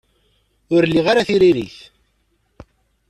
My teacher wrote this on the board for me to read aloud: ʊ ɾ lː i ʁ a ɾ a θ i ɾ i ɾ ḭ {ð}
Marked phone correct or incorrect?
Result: incorrect